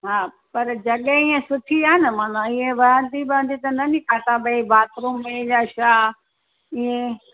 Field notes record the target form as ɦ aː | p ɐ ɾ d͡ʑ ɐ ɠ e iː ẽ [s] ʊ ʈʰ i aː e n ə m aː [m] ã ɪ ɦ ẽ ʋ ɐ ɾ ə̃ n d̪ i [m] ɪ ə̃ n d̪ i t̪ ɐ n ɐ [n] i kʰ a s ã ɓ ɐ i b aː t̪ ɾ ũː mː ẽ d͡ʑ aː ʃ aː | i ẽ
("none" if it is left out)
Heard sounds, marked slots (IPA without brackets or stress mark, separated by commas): s, n, b, n